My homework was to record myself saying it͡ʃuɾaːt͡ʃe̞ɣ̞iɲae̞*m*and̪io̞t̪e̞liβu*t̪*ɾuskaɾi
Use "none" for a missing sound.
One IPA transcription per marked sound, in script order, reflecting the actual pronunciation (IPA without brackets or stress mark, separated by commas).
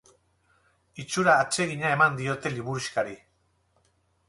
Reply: m, none